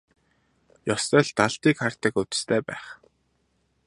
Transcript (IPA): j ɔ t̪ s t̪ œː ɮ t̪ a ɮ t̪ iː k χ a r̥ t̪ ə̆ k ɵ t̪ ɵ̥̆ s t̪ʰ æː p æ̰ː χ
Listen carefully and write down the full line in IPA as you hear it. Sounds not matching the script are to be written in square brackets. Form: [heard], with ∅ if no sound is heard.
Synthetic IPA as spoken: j ɔ [∅] s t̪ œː ɮ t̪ a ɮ t̪ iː k χ a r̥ t̪ ə̆ k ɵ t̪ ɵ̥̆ s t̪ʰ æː p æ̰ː χ